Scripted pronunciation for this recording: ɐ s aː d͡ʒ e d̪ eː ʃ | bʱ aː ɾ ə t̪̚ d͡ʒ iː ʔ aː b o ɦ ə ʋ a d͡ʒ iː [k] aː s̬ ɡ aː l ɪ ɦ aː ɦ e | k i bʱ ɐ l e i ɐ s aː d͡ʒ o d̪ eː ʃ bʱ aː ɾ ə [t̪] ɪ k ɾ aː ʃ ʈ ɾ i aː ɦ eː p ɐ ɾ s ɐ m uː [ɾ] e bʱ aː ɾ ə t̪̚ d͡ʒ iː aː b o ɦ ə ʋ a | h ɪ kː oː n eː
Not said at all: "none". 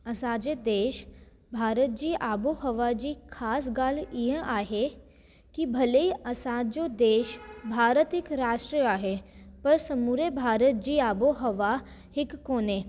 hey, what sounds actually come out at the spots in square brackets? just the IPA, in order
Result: kʰ, t̪, ɾ

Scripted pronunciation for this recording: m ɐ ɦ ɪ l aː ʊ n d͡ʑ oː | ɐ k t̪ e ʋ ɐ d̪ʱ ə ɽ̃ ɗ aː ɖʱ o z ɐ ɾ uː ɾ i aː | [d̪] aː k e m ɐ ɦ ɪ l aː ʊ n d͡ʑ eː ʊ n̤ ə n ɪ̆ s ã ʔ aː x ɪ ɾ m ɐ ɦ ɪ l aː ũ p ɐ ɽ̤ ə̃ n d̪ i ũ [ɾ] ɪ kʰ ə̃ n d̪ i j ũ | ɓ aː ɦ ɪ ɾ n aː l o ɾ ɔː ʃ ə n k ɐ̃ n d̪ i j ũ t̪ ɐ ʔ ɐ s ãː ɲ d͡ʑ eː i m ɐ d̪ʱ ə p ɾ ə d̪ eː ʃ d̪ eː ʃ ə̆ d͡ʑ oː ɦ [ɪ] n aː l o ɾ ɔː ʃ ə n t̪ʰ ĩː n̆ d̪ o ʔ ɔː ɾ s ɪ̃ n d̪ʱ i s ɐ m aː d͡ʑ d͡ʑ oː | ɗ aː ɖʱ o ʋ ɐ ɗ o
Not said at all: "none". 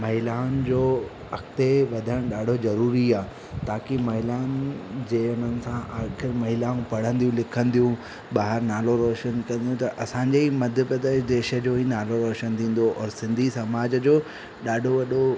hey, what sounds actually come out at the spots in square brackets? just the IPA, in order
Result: t̪, l, i

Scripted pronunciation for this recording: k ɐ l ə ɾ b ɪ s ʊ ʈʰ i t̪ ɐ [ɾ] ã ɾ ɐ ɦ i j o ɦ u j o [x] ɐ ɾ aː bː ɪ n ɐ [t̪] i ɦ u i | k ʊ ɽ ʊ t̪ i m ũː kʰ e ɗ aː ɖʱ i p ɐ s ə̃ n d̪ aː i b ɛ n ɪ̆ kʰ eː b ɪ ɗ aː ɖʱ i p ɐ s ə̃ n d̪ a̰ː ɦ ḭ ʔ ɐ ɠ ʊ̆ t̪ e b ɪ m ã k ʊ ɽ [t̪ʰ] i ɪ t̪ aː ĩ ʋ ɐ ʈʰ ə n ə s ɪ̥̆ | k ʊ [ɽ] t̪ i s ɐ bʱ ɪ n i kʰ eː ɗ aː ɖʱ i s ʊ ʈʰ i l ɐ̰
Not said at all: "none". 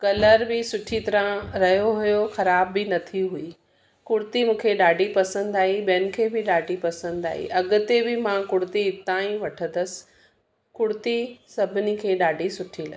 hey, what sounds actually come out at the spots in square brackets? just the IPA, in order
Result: ɾ, x, t̪ʰ, t̪, ɽ

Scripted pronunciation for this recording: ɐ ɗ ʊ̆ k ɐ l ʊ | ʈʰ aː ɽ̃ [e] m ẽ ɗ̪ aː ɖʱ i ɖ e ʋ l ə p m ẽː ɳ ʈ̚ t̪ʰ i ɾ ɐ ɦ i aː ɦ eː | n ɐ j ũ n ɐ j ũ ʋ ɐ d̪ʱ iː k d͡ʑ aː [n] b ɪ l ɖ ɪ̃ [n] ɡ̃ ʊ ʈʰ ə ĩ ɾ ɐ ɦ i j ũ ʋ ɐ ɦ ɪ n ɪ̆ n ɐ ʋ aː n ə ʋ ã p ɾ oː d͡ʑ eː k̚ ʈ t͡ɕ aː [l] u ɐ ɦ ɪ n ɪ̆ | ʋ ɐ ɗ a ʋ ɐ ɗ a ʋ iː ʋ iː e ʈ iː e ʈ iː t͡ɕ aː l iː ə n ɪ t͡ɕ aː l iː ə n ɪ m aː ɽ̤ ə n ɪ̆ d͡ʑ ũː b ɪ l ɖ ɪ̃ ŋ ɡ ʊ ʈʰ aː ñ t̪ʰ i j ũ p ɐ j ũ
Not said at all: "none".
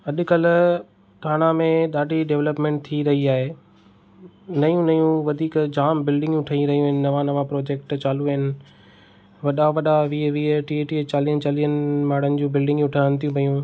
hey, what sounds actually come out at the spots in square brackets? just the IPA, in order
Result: a, m, ŋ, l

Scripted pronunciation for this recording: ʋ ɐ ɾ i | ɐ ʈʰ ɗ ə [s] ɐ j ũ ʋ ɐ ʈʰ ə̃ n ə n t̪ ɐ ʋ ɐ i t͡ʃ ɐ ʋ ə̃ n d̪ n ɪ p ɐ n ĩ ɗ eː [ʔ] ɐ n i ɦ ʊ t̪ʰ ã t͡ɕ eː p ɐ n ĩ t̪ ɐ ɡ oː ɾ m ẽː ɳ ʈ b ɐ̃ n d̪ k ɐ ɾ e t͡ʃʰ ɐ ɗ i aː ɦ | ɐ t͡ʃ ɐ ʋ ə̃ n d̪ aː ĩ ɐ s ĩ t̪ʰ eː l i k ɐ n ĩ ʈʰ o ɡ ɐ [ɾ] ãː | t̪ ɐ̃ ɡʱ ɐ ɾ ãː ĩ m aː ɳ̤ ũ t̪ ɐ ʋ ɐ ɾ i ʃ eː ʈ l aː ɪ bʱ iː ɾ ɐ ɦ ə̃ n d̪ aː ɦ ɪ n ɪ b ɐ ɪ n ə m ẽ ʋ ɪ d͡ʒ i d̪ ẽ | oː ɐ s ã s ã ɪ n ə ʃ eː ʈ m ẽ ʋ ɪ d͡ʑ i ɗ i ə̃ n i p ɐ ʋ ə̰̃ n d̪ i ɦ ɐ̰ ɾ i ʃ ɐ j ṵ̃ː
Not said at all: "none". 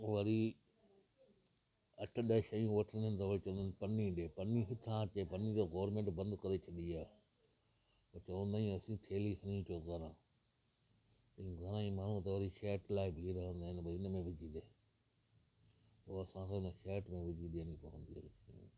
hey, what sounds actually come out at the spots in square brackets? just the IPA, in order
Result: ʃ, p, ɾ

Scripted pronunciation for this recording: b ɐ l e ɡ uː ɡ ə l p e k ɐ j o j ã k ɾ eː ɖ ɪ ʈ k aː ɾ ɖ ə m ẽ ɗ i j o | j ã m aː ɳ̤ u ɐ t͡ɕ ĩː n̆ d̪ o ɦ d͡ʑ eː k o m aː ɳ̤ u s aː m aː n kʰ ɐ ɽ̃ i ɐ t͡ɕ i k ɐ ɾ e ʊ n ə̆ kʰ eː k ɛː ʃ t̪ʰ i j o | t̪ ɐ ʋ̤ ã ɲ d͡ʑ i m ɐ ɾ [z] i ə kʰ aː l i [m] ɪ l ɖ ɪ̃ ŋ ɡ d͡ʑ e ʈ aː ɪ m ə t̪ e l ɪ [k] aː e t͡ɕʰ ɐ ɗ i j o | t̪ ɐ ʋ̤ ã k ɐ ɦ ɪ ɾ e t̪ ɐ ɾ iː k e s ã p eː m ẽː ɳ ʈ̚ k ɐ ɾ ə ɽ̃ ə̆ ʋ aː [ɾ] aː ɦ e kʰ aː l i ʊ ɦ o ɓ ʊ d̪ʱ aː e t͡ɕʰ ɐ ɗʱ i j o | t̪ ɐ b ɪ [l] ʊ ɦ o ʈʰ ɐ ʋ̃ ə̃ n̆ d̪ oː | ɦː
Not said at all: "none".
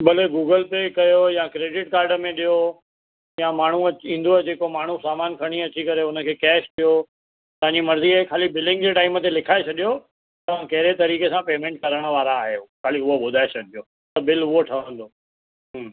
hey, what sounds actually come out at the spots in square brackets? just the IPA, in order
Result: z, b, kʰ, ɾ, l

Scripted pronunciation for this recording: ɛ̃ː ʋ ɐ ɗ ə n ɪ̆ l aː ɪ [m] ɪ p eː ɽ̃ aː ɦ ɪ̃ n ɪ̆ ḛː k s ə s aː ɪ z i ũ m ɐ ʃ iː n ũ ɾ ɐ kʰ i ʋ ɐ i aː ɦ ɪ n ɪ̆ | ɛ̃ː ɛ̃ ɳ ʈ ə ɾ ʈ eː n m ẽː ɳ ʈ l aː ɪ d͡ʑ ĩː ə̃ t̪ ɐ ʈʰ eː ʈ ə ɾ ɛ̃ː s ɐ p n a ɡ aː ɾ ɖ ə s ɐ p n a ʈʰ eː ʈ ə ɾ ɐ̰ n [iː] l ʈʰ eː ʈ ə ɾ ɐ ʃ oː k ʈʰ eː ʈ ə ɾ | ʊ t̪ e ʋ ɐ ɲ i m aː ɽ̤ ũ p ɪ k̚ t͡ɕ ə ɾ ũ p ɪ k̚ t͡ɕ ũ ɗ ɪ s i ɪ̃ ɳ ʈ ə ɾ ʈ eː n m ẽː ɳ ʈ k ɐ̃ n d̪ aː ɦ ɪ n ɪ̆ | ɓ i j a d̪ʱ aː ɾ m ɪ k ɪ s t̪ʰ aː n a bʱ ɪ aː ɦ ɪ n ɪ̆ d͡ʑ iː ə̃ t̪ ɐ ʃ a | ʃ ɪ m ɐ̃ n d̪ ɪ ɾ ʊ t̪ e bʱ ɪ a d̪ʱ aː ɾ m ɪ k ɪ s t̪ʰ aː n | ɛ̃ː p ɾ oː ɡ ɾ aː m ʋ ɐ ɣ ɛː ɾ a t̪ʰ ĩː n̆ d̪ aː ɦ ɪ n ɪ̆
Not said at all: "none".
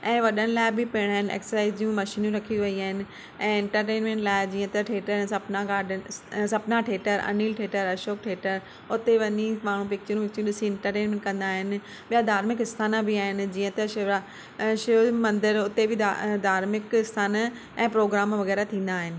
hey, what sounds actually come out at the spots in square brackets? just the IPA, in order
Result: b, iː

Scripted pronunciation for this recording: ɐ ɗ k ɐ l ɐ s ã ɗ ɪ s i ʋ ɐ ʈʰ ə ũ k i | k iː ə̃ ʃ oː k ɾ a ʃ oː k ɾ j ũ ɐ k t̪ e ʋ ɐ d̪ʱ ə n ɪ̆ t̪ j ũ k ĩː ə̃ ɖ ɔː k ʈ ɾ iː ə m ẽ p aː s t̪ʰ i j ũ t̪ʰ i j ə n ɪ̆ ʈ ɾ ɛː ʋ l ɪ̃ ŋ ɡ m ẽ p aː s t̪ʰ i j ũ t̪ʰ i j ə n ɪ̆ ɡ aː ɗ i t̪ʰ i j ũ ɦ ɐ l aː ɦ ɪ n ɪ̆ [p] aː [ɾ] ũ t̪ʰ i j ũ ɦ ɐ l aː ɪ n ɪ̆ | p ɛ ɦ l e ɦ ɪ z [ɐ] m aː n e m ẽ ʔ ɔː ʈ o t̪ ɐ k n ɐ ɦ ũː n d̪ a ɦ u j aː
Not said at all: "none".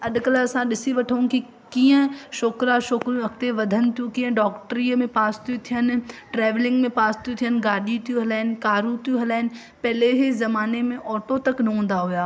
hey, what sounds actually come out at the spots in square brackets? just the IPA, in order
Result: k, ɾ, ɐ

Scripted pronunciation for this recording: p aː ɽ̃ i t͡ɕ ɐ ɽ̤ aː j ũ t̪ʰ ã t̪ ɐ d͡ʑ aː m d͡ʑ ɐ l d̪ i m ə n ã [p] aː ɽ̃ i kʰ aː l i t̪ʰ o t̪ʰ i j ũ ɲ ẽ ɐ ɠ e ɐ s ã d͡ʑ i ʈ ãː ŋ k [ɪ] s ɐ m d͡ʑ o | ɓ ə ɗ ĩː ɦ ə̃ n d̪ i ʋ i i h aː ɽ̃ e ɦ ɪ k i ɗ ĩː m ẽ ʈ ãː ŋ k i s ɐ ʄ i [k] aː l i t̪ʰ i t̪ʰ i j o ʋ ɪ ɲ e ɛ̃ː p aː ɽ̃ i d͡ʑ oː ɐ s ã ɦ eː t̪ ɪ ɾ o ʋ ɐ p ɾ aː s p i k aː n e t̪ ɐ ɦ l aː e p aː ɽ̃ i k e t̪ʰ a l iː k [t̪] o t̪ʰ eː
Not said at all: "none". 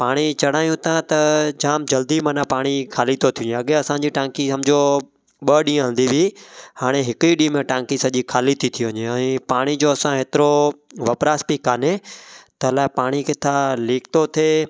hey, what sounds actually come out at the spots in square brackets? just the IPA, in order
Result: p, i, kʰ, t̪

